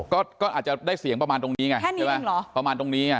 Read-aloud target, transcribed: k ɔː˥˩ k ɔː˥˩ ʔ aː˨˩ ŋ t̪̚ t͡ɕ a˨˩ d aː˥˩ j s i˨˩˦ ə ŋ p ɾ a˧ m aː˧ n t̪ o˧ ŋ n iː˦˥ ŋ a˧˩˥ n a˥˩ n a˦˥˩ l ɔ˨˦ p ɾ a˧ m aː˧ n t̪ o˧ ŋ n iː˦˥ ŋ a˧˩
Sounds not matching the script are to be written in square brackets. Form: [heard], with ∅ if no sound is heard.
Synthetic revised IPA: k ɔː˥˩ k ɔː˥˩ ʔ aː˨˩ [∅] t̪̚ t͡ɕ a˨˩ d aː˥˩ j s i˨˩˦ ə ŋ p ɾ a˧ m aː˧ n t̪ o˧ ŋ n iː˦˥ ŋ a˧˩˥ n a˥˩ [m] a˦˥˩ l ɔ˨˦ p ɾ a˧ m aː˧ n t̪ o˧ ŋ n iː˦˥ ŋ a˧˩

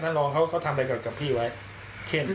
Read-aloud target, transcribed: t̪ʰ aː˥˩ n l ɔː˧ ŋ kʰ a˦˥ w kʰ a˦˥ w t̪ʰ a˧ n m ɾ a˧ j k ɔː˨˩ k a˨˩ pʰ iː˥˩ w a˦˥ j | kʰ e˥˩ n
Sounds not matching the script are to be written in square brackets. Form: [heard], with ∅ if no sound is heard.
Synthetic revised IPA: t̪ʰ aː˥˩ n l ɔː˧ ŋ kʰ a˦˥ w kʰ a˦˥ w t̪ʰ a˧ [∅] m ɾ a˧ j k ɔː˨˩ k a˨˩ pʰ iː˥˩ w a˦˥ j | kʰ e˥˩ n

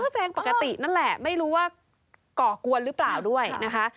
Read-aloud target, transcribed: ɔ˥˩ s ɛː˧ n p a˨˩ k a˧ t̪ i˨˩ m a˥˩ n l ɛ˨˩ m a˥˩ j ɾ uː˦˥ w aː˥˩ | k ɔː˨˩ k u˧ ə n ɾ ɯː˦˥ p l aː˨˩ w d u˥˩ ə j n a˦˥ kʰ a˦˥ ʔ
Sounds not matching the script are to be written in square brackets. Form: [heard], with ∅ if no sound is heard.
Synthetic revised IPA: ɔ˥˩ s ɛː˧ [ŋ] p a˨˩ k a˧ t̪ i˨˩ [n] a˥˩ n l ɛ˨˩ m a˥˩ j ɾ uː˦˥ w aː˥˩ | k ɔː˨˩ k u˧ ə n ɾ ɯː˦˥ p l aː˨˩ w d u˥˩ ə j n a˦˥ kʰ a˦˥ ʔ

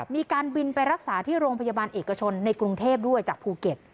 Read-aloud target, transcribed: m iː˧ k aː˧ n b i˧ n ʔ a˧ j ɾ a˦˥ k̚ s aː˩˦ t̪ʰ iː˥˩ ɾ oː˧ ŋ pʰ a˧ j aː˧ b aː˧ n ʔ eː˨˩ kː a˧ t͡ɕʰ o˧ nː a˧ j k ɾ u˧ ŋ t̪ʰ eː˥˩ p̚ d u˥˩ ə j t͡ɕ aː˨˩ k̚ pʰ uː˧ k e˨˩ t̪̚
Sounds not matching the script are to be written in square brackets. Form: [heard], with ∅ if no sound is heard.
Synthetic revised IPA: m iː˧ k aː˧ n b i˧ n [p] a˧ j ɾ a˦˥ k̚ s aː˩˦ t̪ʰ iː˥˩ ɾ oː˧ ŋ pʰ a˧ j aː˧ b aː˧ n ʔ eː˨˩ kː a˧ t͡ɕʰ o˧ nː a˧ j k ɾ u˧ ŋ t̪ʰ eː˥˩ p̚ d u˥˩ ə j t͡ɕ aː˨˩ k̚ pʰ uː˧ k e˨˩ t̪̚

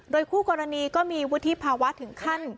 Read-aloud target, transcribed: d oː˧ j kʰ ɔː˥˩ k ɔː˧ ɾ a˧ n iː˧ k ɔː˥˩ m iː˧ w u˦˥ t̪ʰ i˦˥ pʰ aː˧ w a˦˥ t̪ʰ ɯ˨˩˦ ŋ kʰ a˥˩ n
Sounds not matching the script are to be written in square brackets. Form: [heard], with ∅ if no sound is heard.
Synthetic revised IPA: d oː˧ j kʰ [uː˥˩] k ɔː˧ ɾ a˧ n iː˧ k ɔː˥˩ m iː˧ w u˦˥ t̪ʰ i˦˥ pʰ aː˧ w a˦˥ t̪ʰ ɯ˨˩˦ ŋ kʰ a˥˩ n

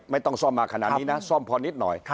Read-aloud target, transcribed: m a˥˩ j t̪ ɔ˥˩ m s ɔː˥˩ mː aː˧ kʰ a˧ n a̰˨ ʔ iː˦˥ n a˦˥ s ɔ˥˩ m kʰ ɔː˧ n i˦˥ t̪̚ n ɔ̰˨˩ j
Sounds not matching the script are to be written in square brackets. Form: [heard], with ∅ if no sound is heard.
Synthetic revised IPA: m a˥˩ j t̪ ɔ˥˩ [ŋ] s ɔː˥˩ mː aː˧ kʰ a˧ n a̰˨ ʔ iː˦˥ n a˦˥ s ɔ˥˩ m [pʰ] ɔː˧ n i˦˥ t̪̚ n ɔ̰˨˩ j

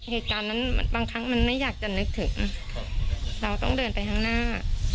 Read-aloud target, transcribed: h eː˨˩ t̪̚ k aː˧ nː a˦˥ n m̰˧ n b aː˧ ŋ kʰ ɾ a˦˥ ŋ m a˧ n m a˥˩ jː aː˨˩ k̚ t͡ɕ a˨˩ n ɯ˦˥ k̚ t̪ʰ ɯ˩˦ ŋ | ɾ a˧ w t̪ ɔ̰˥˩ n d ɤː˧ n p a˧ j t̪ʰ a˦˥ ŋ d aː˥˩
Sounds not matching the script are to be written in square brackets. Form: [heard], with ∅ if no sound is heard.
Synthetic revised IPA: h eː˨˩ t̪̚ k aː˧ nː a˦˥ n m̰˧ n b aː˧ ŋ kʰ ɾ a˦˥ ŋ m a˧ n m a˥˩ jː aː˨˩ k̚ t͡ɕ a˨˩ n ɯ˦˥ k̚ t̪ʰ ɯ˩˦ ŋ | ɾ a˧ w t̪ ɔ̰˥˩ [ŋ] d ɤː˧ n p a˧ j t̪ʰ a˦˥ ŋ [n] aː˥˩

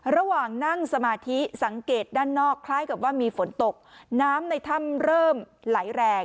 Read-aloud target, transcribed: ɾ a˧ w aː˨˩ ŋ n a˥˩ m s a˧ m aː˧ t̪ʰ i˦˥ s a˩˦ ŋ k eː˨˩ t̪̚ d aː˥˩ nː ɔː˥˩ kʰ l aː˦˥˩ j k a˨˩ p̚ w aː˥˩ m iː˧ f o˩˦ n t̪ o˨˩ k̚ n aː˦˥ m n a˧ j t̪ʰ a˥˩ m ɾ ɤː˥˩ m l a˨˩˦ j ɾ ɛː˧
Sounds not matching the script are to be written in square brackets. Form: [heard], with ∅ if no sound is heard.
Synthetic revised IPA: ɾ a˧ w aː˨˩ ŋ n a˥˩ [ŋ] s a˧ m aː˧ t̪ʰ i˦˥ s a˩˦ ŋ k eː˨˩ t̪̚ d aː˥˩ nː ɔː˥˩ kʰ l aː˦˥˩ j k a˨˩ p̚ w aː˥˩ m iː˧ f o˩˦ n t̪ o˨˩ k̚ n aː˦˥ m n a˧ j t̪ʰ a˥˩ m ɾ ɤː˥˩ m l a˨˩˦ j ɾ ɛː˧

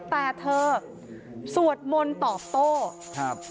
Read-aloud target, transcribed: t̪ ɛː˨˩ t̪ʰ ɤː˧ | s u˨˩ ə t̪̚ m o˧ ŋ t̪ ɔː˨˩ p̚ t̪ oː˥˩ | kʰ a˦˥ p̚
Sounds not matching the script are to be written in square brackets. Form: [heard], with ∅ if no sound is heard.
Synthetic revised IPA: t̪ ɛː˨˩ t̪ʰ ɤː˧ | s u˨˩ ə t̪̚ m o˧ [n] t̪ ɔː˨˩ p̚ t̪ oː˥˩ | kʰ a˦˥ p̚

